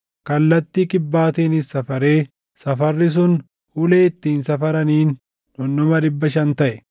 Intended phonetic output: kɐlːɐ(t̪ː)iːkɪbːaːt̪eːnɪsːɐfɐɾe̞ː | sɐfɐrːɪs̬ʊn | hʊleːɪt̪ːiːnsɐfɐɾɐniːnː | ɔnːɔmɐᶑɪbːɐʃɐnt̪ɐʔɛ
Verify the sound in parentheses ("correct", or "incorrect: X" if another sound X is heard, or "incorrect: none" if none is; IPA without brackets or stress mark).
correct